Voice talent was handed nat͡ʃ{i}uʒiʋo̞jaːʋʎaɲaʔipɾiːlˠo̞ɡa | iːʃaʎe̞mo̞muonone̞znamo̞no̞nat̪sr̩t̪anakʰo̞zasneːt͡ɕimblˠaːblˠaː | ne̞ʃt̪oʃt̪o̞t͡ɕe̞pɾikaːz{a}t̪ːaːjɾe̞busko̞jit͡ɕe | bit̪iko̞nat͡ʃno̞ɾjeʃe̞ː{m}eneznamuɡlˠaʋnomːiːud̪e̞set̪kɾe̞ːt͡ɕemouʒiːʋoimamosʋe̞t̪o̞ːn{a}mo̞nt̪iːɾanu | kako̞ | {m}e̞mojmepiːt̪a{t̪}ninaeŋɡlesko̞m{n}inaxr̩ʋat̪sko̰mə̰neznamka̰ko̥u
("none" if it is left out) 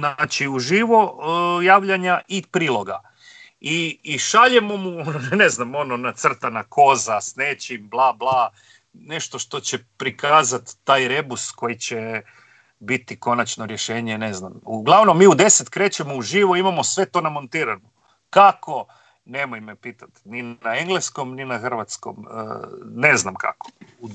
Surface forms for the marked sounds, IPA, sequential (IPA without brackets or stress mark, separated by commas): i, a, ɲ, a, n, t̪, n